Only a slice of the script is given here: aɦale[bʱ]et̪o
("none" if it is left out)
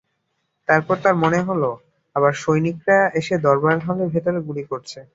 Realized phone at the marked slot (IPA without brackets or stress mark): bʱ